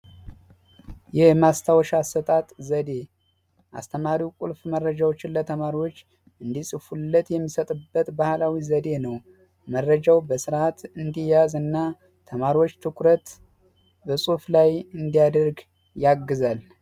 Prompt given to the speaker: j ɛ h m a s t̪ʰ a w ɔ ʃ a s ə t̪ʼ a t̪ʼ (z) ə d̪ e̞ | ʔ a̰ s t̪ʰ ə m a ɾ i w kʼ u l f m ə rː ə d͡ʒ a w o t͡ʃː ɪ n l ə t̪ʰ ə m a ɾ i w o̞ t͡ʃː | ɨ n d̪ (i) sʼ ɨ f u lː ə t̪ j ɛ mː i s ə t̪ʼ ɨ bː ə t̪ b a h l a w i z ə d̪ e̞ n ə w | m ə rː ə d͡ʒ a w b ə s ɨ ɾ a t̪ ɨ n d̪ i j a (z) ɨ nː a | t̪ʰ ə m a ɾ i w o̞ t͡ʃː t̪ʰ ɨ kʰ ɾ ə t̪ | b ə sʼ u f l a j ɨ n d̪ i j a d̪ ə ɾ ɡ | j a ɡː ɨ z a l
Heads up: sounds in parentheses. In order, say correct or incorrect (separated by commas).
correct, correct, correct